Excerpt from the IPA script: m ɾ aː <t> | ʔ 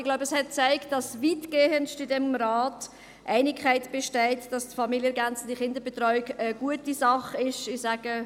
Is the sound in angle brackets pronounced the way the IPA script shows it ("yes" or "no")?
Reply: yes